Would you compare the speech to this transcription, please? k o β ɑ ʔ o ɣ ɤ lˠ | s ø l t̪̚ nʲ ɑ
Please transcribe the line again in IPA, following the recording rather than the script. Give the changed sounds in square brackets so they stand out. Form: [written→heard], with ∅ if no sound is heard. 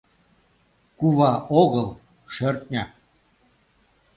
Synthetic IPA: k [o→u] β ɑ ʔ o ɣ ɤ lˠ | [s→ʃ] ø [l→r] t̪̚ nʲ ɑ